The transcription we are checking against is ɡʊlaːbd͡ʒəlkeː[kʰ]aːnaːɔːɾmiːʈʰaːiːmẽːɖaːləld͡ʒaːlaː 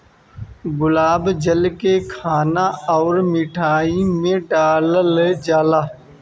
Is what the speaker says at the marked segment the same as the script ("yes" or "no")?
yes